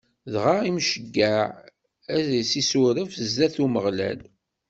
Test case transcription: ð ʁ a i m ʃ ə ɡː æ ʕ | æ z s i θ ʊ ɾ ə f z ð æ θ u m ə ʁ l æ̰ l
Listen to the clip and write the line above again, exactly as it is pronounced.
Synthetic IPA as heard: ð ʁ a i m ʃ ə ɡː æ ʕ | æ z s i s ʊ ɾ ə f z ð æ θ u m ə ʁ l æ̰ l